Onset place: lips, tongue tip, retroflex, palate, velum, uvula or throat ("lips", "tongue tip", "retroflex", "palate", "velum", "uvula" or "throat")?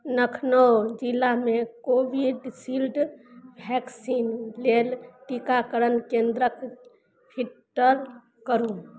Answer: tongue tip